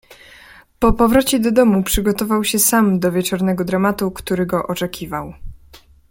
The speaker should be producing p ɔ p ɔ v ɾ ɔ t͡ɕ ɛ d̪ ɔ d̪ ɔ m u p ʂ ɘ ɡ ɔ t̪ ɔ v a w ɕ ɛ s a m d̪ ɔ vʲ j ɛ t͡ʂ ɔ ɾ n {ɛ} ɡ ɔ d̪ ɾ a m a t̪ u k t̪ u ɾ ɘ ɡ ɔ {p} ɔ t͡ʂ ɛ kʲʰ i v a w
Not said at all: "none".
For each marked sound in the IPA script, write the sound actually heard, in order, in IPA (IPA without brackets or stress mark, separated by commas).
ɛ, ʔ